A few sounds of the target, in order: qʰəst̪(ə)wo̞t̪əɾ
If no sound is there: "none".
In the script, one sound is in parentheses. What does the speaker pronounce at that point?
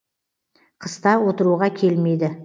ɑ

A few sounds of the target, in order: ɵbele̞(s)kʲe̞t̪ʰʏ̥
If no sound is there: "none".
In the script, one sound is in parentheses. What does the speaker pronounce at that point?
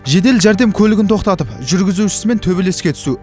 s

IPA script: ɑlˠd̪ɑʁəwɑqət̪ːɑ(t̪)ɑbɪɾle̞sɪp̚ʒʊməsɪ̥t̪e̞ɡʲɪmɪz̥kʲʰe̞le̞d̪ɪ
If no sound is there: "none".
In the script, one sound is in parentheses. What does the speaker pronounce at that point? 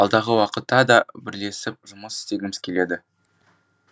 d̪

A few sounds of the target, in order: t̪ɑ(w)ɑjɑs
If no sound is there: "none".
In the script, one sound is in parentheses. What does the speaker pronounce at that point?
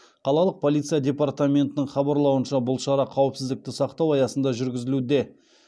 w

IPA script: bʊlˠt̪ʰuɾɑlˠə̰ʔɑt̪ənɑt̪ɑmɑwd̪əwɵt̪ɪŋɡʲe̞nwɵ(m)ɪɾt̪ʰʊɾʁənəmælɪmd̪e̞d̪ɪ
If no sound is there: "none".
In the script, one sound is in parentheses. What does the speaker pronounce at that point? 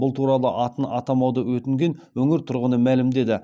ŋ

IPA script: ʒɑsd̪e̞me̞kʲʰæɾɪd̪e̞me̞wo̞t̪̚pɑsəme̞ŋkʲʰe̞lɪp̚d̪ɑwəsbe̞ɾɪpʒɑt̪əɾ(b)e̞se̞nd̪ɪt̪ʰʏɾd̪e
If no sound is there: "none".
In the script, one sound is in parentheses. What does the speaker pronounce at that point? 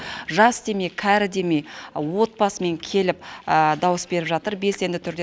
b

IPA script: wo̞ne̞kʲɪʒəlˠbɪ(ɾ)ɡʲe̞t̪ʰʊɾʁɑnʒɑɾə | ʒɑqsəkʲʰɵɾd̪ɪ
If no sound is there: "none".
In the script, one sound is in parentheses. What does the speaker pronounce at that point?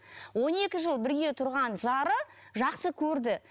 ɾ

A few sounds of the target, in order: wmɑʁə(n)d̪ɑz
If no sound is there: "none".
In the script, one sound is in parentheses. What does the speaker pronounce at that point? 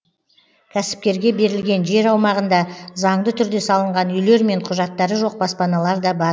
n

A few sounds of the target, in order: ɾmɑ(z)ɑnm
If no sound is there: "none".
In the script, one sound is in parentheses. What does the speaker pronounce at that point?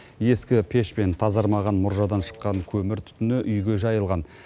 ʁ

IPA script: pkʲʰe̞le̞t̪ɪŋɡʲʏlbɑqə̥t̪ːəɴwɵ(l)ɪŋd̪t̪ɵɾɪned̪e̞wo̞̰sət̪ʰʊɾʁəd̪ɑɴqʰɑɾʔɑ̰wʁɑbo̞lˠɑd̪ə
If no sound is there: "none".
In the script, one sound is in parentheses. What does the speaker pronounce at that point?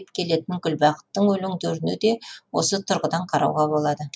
l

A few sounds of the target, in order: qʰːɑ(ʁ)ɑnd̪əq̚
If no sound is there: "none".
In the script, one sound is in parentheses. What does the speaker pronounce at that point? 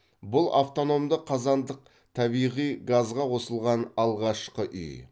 z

